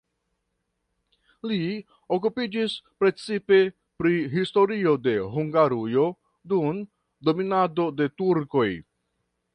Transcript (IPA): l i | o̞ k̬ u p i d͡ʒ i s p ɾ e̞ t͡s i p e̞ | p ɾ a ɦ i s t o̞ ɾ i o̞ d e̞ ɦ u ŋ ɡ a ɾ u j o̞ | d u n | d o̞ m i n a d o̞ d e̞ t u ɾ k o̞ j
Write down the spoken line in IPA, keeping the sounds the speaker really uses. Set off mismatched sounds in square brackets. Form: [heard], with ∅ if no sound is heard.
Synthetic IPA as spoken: l i | o̞ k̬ u p i d͡ʒ i s p ɾ e̞ t͡s i p e̞ | p ɾ [i] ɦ i s t o̞ ɾ i o̞ d e̞ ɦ u ŋ ɡ a ɾ u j o̞ | d u n | d o̞ m i n a d o̞ d e̞ t u ɾ k o̞ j